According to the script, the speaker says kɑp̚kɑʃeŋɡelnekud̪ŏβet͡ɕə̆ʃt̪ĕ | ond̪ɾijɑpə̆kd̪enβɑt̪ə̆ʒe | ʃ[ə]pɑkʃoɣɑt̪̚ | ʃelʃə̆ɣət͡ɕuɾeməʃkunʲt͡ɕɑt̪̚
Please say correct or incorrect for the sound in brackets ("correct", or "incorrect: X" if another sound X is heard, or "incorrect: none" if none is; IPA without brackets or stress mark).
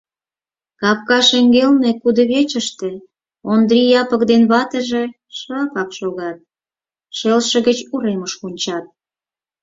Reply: incorrect: ɑ